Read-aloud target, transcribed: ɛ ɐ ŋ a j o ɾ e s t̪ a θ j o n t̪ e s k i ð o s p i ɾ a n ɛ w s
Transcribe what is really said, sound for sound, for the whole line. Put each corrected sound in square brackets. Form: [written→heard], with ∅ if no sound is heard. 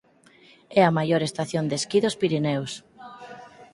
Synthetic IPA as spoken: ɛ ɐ [ŋ→m] a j o ɾ e s t̪ a θ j o n [t̪→d̪] e s k i ð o s p i ɾ [a→i] n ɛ w s